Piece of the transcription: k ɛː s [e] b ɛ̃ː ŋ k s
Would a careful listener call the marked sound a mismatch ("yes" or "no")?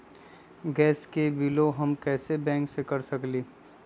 no